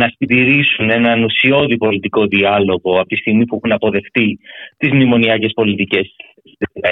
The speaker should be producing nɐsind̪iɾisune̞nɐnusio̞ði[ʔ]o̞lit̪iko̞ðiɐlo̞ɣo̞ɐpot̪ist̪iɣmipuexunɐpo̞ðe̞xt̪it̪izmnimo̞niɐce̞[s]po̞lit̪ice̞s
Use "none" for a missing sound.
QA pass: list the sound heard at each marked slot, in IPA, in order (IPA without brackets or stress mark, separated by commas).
p, s